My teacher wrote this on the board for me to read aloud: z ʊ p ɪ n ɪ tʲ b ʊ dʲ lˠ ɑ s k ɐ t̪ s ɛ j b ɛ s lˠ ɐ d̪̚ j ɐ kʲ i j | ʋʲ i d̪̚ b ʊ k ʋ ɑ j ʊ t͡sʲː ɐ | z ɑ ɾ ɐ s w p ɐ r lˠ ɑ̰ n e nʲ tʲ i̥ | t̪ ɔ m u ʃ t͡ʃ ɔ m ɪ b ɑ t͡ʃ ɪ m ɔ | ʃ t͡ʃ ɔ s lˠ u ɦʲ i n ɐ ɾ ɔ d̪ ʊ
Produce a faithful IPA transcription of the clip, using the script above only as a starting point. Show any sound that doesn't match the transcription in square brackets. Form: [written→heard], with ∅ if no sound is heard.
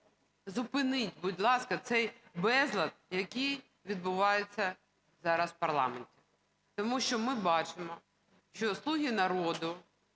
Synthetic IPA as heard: z ʊ p ɪ n ɪ tʲ b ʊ dʲ lˠ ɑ s k ɐ t̪ s ɛ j b ɛ [s→z] lˠ ɐ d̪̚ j ɐ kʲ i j | ʋʲ i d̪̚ b ʊ [k→∅] ʋ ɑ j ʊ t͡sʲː ɐ | z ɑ ɾ ɐ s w p ɐ r lˠ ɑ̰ [n→m] e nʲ tʲ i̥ | t̪ ɔ m u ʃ t͡ʃ ɔ m ɪ b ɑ t͡ʃ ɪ m ɔ | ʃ t͡ʃ ɔ s lˠ u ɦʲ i n ɐ ɾ ɔ d̪ ʊ

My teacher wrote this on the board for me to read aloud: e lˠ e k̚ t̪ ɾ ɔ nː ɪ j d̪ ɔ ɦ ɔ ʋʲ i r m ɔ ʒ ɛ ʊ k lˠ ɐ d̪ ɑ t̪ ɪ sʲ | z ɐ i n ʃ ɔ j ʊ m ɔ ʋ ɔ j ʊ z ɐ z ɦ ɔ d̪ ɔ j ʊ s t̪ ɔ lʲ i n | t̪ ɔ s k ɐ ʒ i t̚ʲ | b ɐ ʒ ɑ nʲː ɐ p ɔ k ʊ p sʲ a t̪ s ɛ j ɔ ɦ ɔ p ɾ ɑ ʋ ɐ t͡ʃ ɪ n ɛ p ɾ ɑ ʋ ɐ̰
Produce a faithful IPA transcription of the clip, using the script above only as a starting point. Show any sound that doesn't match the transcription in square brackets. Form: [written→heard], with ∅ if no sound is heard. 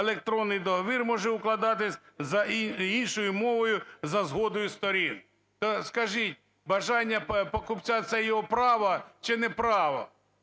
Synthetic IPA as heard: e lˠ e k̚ t̪ ɾ ɔ nː ɪ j d̪ ɔ ɦ ɔ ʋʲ i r m ɔ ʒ ɛ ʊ k lˠ ɐ d̪ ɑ t̪ ɪ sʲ | z ɐ i n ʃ ɔ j ʊ m ɔ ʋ ɔ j ʊ z ɐ z ɦ ɔ d̪ ɔ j ʊ s t̪ ɔ [lʲ→ɾʲ] i n | t̪ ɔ s k ɐ ʒ i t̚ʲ | b ɐ ʒ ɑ nʲː ɐ p ɔ k ʊ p [sʲ→t͡sʲ] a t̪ s ɛ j ɔ ɦ ɔ p ɾ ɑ ʋ ɐ t͡ʃ ɪ n ɛ p ɾ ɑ ʋ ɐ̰

